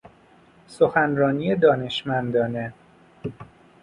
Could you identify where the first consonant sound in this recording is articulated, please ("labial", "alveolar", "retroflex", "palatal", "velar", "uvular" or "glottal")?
alveolar